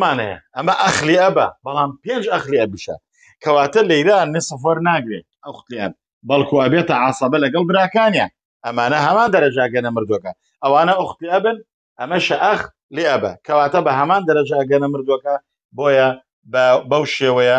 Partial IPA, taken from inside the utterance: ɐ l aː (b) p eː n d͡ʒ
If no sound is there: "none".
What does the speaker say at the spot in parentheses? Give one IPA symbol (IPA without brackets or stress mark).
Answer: m